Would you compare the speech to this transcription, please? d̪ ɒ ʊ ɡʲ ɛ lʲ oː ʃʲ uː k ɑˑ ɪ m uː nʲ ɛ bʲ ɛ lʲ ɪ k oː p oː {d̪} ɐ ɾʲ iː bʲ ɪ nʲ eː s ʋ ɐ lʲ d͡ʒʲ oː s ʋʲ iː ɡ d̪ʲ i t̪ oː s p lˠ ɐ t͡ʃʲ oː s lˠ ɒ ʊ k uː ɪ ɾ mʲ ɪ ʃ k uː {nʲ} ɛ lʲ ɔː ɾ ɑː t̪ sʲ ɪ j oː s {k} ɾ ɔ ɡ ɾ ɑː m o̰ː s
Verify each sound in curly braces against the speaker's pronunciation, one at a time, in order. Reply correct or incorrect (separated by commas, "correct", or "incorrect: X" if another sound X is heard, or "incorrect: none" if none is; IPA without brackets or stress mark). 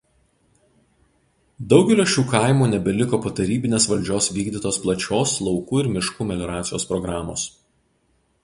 incorrect: t̪, incorrect: mʲ, incorrect: p